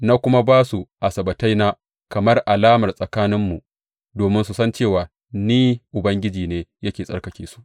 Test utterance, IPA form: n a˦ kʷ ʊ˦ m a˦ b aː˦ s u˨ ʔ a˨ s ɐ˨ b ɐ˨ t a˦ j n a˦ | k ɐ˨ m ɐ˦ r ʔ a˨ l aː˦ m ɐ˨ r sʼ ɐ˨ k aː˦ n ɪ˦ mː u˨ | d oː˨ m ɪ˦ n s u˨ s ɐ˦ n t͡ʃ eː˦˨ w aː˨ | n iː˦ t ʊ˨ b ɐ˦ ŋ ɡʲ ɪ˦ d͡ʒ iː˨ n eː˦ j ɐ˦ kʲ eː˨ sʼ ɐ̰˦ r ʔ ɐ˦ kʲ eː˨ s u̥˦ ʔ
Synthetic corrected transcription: n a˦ kʷ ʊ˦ m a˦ b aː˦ s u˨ ʔ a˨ s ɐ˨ b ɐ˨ t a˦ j n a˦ | k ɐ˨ m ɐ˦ r ʔ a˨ l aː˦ m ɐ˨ r sʼ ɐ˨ k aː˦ n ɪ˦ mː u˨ | d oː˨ m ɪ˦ n s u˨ s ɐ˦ n t͡ʃ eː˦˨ w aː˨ | n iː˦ ʔ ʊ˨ b ɐ˦ ŋ ɡʲ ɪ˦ d͡ʒ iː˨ n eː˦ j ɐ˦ kʲ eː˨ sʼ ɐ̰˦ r k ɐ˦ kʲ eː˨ s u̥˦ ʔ